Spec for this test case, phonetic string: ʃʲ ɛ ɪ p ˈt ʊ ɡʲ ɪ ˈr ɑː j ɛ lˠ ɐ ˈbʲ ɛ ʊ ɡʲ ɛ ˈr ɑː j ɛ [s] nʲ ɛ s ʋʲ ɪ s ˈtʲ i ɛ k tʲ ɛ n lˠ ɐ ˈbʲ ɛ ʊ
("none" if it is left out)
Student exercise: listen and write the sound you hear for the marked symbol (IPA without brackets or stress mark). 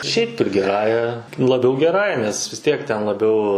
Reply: none